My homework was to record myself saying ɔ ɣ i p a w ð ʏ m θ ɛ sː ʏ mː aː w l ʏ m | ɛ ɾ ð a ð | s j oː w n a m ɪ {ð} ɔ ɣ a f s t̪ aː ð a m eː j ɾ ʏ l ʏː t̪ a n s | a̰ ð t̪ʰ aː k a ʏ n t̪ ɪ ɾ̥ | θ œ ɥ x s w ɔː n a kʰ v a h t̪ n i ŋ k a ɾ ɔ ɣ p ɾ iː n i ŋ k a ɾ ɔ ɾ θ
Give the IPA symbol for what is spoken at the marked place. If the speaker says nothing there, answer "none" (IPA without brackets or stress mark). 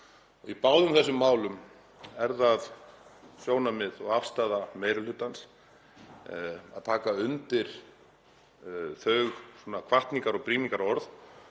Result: ð